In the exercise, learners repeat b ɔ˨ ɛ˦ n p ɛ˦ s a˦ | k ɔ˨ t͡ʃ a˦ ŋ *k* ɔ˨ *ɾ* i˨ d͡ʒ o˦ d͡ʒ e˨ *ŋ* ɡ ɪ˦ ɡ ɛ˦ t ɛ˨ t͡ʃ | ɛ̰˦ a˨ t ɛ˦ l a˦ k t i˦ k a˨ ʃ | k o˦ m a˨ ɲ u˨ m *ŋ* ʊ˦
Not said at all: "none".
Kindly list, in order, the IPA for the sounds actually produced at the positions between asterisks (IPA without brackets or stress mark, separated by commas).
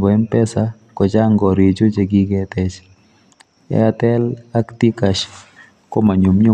ɡ, ɾ, none, ɲ